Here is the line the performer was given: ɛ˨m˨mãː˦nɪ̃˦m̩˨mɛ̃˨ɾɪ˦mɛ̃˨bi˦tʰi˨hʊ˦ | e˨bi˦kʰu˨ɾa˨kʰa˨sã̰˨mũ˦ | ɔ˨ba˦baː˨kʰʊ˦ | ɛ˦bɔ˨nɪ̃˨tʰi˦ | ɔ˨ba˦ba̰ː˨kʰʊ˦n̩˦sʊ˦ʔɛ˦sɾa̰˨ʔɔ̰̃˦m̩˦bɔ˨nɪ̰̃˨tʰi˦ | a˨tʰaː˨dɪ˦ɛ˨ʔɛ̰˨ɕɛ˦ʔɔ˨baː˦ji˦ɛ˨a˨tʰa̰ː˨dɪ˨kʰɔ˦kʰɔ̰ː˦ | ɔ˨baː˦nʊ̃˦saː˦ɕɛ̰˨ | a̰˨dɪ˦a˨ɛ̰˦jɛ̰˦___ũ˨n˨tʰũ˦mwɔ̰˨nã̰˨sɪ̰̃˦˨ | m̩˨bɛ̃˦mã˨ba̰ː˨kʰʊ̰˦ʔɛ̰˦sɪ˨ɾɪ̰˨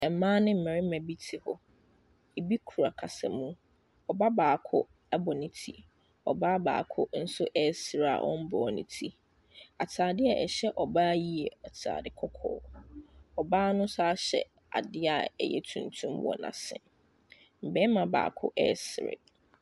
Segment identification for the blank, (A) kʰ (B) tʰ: B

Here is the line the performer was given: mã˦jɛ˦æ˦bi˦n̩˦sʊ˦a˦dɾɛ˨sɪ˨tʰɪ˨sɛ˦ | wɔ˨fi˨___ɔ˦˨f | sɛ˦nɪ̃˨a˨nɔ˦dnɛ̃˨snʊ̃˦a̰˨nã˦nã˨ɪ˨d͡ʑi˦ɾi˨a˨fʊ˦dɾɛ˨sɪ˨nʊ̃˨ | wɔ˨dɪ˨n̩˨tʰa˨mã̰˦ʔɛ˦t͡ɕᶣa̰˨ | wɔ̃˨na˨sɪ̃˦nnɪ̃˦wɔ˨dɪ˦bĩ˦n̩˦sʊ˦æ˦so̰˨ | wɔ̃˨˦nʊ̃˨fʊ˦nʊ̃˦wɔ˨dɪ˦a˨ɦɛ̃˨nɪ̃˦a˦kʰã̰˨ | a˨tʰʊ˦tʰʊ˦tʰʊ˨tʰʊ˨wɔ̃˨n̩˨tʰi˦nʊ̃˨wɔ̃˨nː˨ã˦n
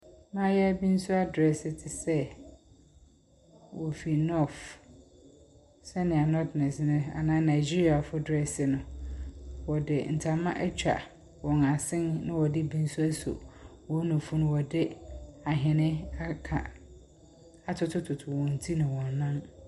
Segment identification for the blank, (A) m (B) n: B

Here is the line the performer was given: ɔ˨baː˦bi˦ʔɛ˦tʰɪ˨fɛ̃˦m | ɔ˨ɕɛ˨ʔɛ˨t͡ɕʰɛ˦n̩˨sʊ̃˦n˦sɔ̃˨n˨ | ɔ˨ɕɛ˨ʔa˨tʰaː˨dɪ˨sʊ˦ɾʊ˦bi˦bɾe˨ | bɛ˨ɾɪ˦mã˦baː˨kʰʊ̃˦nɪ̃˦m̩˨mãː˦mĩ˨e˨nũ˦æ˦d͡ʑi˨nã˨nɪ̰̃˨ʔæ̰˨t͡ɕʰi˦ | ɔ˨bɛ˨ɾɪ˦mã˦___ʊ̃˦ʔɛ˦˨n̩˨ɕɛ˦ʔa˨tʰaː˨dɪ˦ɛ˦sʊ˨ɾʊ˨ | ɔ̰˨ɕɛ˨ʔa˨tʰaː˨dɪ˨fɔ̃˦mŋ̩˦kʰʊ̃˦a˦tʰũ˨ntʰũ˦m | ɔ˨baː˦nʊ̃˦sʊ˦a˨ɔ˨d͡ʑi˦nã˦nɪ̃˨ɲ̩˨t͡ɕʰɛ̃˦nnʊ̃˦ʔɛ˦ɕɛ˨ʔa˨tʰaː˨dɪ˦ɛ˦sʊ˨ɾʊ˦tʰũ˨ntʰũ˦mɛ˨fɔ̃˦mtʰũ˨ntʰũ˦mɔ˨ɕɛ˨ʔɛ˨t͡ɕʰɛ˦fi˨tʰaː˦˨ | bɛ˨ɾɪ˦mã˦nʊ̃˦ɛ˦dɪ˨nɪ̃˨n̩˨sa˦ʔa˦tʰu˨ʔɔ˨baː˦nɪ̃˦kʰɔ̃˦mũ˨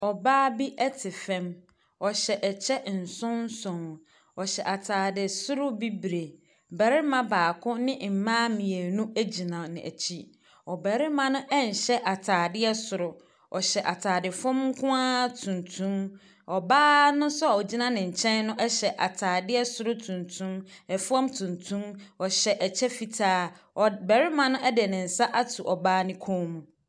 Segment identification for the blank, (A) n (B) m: A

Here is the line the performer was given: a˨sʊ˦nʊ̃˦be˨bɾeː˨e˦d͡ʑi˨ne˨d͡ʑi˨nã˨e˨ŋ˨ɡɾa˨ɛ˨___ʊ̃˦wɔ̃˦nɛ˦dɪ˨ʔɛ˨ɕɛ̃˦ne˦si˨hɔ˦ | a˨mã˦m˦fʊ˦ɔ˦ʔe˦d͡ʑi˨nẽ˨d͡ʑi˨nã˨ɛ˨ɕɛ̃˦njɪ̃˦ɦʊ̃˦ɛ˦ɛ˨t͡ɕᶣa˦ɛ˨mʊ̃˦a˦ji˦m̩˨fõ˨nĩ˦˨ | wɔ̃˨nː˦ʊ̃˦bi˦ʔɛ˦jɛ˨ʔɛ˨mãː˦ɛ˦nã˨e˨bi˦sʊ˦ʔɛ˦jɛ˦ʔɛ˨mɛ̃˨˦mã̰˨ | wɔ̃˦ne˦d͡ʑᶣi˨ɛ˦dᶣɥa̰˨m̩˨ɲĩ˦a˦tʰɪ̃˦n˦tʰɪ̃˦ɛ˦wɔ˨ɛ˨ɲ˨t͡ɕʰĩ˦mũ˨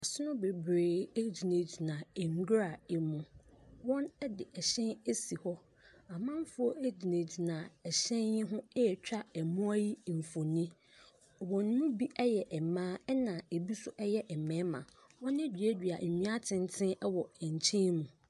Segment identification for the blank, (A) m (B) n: A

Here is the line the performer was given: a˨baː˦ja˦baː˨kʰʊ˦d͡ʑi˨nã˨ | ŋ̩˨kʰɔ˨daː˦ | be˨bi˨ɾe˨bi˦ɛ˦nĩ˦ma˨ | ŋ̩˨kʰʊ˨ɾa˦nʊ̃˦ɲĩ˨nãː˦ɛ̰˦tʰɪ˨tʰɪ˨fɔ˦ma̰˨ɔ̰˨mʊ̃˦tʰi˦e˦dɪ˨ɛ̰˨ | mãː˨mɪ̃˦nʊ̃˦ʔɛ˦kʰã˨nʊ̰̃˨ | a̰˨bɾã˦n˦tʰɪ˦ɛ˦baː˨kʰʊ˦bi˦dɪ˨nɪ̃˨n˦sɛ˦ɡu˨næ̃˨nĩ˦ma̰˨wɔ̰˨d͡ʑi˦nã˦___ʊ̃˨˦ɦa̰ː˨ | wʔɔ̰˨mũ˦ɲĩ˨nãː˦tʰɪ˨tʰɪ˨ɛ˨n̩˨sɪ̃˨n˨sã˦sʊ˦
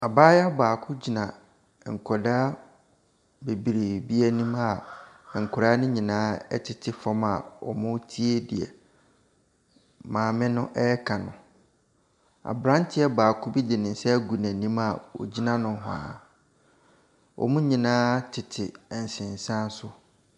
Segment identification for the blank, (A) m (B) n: B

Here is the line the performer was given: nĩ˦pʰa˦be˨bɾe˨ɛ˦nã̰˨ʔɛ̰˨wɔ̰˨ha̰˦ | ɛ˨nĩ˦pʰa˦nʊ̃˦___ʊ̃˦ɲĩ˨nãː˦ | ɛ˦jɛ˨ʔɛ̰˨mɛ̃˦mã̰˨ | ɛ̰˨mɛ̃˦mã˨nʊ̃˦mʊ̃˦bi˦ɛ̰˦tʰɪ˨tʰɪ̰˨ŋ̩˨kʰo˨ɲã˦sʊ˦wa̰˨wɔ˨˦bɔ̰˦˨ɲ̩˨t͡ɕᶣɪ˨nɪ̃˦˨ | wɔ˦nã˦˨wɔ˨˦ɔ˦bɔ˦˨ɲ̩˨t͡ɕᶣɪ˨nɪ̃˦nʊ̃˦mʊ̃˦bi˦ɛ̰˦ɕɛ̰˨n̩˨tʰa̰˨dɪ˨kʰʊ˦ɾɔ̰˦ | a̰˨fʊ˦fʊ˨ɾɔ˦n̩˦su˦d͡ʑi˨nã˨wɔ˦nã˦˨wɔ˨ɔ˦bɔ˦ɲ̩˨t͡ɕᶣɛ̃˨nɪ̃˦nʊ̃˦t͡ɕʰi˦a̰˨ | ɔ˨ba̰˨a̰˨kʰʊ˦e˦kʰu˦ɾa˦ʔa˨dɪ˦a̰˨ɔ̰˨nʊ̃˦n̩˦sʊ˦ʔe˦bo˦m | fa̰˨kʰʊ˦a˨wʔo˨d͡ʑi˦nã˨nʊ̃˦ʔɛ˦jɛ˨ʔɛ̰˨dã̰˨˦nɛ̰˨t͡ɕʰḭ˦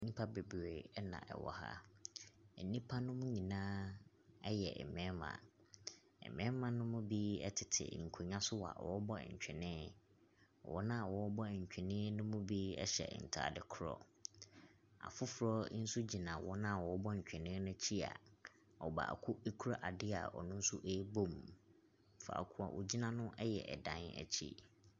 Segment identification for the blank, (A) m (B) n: A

